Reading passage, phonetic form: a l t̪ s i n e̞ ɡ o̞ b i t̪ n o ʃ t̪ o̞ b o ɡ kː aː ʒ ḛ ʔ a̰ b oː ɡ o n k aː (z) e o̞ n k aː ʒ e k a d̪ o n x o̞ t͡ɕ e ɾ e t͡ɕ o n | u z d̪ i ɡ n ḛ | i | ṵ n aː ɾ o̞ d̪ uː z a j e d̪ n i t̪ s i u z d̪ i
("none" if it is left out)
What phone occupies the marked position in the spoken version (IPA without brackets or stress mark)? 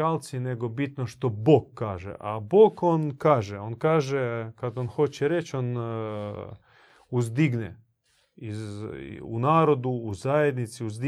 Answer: ʒ